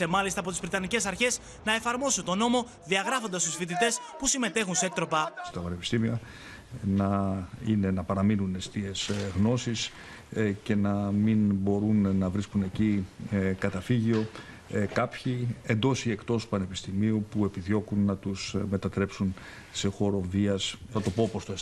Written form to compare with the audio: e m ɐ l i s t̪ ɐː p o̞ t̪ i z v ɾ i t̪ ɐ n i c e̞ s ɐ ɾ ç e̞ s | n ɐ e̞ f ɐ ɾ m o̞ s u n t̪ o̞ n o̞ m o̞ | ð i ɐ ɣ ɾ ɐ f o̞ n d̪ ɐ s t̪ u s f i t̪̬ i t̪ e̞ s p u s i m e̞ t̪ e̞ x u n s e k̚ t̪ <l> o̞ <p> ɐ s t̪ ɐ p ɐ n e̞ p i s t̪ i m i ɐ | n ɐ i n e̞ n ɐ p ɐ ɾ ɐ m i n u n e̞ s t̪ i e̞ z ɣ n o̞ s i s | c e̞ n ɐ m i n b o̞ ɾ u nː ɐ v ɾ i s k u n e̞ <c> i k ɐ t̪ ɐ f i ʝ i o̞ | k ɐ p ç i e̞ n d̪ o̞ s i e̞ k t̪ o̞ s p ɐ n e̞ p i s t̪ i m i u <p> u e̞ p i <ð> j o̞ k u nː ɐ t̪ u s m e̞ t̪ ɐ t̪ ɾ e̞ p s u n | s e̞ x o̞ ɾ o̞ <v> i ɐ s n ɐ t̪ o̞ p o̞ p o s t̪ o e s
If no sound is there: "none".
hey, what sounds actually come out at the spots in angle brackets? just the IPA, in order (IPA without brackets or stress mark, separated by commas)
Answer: ɾ, p, c, p, ð, v